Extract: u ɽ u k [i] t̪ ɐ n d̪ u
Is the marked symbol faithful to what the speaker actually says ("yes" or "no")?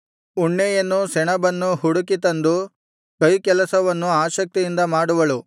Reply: yes